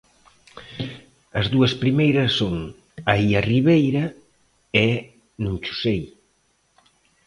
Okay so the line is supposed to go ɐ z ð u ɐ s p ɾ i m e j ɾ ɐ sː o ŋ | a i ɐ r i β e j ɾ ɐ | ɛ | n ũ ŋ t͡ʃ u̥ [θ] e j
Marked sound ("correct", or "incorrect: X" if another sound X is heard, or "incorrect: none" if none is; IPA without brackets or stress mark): incorrect: s